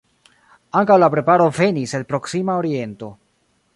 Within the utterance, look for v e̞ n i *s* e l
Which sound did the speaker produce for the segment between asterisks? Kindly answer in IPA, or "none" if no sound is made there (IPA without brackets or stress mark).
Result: s